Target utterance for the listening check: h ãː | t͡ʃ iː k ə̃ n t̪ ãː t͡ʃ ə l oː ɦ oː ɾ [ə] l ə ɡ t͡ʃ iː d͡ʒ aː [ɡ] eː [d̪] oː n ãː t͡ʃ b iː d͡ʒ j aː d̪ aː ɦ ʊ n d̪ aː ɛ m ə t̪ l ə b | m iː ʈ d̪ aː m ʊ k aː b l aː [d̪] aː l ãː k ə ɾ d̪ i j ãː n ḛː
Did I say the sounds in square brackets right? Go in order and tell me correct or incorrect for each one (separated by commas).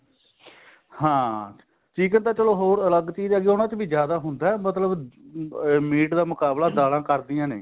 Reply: correct, correct, incorrect, correct